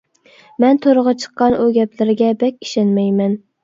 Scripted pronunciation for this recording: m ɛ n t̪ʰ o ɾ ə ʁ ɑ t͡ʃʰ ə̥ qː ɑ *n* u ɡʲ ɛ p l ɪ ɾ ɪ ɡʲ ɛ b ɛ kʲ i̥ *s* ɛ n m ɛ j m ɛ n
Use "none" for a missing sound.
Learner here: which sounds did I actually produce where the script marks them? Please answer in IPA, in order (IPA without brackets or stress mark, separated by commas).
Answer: n, ʃ